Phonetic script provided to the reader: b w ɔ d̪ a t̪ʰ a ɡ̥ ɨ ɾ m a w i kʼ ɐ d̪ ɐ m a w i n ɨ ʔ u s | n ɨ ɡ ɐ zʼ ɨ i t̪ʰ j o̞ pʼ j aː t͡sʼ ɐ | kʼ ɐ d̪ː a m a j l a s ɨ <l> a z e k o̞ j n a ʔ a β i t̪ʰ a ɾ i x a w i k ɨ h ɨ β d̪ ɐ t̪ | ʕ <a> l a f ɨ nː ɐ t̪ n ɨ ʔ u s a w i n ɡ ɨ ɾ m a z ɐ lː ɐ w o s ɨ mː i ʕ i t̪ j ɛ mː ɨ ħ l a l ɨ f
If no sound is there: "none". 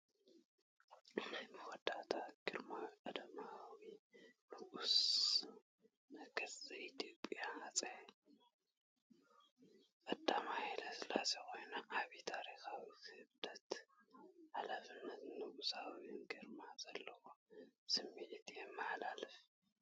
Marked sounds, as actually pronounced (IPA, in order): l, a

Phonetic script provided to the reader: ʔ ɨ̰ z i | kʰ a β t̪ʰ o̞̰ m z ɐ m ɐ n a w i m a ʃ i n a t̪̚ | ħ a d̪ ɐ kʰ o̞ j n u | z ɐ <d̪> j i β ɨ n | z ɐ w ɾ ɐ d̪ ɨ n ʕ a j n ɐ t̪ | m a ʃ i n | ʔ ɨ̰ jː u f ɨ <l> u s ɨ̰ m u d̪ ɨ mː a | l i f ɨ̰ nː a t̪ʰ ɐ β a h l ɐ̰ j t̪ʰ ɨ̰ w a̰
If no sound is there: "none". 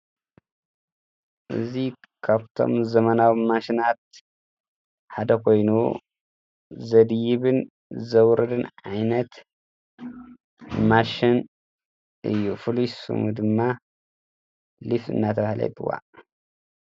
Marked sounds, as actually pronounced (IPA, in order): d̪, l

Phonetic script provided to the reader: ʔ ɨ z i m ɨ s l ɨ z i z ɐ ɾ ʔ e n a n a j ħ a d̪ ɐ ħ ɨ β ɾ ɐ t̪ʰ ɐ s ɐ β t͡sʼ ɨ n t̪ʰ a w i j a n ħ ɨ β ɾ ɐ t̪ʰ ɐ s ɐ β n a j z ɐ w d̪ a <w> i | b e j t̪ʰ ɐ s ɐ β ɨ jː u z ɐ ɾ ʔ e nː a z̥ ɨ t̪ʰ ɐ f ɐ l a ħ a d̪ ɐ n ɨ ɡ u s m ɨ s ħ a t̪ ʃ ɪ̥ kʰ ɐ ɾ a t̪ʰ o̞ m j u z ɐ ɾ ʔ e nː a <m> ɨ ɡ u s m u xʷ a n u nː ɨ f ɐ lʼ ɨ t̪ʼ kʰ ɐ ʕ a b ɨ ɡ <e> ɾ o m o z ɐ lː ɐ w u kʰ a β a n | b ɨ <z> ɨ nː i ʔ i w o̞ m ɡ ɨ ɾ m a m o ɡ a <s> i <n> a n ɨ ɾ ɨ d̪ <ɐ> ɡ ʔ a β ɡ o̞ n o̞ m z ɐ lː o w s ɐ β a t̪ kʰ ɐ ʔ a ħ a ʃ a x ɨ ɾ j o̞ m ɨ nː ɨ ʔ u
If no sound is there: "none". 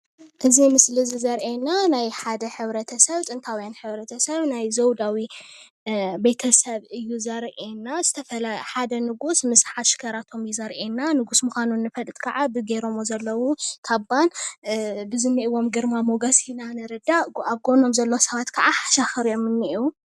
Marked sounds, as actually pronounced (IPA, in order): w, n, e, z, s, n, a

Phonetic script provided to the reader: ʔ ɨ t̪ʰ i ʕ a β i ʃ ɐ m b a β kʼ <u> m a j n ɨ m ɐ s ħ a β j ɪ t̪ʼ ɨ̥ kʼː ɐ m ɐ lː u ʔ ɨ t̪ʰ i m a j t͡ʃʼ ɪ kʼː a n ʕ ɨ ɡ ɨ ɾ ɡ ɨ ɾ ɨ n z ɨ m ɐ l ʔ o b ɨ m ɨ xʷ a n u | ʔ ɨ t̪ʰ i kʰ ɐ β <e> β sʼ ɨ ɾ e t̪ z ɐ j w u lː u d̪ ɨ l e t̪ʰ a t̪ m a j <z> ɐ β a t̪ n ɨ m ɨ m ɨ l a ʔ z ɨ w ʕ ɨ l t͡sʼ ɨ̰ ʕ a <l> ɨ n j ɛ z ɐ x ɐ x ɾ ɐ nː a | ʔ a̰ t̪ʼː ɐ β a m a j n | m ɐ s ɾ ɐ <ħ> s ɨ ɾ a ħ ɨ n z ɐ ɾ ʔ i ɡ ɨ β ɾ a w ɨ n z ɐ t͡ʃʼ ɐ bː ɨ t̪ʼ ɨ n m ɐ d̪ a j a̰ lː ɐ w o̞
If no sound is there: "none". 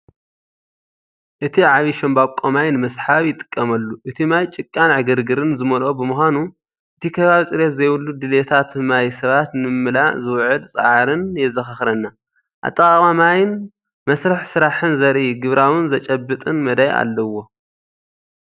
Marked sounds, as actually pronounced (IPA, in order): o, a, s, ɾ, ħ

